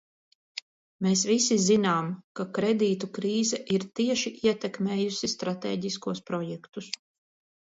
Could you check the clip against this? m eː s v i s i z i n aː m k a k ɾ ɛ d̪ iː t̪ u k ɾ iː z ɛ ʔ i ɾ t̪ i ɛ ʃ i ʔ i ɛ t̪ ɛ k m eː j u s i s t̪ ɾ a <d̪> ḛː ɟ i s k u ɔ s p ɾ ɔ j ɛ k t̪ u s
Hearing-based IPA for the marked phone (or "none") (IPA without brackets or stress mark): t̪